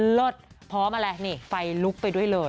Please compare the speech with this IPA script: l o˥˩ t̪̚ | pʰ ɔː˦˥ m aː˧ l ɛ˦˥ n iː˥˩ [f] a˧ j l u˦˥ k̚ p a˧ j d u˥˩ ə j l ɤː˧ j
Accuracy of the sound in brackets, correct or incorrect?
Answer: correct